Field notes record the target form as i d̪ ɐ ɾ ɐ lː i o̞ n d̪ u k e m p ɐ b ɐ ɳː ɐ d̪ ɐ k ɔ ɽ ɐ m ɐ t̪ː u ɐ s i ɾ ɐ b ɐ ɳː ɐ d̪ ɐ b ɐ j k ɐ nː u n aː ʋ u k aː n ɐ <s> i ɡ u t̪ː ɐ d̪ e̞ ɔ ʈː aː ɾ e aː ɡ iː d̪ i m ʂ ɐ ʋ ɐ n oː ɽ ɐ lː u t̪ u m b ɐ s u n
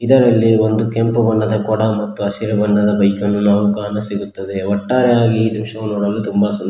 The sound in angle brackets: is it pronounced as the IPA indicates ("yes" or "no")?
yes